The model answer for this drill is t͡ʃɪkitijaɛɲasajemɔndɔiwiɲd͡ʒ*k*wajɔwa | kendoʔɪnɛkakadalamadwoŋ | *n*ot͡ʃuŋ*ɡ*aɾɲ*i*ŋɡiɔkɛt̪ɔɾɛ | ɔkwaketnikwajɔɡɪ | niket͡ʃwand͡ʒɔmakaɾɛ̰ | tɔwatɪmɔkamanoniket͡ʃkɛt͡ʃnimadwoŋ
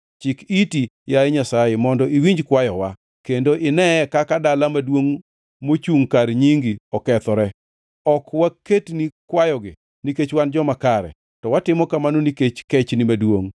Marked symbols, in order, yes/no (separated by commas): yes, no, no, yes